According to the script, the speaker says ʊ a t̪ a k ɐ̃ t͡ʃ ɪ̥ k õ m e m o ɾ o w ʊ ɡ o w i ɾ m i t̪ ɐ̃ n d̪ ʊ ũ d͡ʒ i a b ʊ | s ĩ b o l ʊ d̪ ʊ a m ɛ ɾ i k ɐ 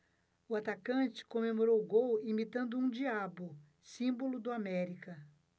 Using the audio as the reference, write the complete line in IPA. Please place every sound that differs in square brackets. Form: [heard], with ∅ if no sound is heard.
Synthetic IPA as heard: ʊ a t̪ a k ɐ̃ t͡ʃ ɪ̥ k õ m e m o ɾ o w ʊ ɡ o w i [∅] m i t̪ ɐ̃ n d̪ ʊ ũ d͡ʒ i a b ʊ | s ĩ b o l ʊ d̪ ʊ a m ɛ ɾ i k ɐ